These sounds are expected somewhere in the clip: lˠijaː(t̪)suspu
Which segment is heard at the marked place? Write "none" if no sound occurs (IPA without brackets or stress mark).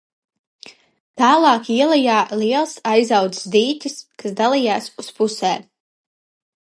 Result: none